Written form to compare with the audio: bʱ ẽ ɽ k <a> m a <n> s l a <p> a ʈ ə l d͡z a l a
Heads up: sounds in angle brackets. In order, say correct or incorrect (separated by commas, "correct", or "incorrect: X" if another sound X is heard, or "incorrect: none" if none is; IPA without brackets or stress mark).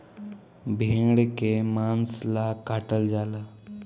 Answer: incorrect: e, correct, incorrect: k